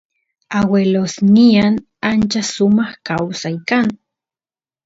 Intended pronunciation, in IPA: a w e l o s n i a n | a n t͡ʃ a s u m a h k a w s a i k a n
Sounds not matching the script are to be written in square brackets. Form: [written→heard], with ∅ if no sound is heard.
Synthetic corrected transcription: a w e l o s n i a n | a n t͡ʃ a s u m a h k a w s a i k a n